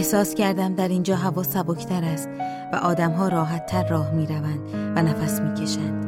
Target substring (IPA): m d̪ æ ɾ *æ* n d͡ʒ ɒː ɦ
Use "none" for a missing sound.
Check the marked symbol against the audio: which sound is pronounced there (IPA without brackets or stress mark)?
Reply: i